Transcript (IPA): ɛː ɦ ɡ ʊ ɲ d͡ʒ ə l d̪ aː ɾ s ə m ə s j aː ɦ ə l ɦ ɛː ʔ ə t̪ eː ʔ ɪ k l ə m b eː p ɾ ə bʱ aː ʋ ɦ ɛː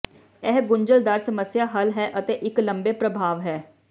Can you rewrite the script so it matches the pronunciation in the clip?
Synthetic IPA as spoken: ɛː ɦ ɡ ʊ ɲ d͡ʒ ə l d̪ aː ɾ s ə m ə s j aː ɦ ə l ɦ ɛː ʔ ə t̪ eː ʔ ɪ k l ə m b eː p ɾ ə bʱ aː ʋ ɦ ɛː